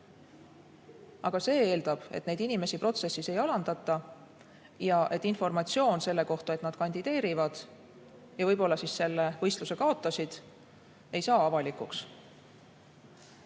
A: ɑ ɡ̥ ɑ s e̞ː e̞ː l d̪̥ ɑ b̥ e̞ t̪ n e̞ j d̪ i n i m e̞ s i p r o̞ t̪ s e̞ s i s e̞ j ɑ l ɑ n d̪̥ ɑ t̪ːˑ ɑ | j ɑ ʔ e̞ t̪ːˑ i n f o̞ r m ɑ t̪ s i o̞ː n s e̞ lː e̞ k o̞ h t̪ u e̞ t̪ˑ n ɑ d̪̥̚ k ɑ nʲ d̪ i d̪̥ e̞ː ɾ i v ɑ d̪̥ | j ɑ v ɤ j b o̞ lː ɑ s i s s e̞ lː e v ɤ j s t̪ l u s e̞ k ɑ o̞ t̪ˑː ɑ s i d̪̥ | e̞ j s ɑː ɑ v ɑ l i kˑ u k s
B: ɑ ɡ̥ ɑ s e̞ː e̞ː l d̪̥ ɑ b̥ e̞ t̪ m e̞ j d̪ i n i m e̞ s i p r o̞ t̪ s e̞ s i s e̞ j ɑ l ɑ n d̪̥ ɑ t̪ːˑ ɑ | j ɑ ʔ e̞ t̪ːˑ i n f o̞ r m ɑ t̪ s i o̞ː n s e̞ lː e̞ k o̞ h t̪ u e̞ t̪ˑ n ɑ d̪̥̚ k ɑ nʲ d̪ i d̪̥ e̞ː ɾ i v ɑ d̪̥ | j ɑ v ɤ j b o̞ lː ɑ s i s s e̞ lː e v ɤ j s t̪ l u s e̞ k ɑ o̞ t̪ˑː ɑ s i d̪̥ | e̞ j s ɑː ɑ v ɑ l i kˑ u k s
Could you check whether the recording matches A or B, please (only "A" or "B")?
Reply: A